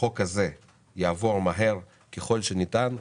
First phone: o̞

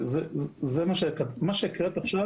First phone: z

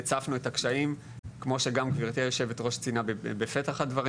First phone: t͡s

